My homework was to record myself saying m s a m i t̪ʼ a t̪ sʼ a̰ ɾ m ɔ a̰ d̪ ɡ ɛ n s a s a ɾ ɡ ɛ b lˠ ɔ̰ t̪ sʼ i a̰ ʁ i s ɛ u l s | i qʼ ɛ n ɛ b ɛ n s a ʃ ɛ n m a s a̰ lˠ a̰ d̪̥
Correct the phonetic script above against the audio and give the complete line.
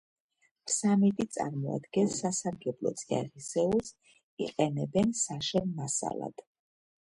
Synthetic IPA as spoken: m s a m i t̪ʼ i t̪ sʼ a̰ ɾ m ɔ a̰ d̪ ɡ ɛ n s a s a ɾ ɡ ɛ b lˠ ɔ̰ t̪ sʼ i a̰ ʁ i s ɛ u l s | i qʼ ɛ n ɛ b ɛ n s a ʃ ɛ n m a s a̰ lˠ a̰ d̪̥